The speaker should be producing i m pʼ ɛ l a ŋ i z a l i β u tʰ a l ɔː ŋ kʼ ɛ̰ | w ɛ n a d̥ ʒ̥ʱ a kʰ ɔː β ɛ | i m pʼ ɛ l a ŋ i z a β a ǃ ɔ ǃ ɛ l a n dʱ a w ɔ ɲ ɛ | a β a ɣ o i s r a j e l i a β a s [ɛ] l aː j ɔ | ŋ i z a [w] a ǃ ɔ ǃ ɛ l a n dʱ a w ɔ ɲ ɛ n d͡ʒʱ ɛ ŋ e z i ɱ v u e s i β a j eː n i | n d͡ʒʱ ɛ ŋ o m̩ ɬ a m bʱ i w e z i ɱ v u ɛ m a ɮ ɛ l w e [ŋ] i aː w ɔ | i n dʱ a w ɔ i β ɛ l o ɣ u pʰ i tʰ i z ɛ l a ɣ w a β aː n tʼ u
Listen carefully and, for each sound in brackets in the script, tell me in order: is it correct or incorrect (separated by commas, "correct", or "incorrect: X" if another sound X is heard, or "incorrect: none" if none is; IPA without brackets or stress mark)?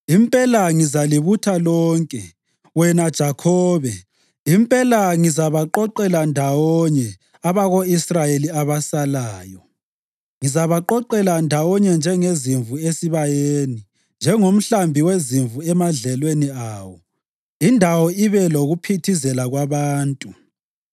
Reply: incorrect: a, incorrect: β, incorrect: n